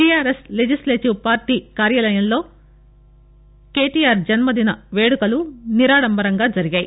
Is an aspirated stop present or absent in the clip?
absent